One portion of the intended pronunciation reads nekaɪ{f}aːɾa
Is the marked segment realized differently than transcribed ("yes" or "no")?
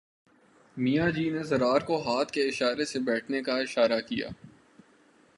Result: yes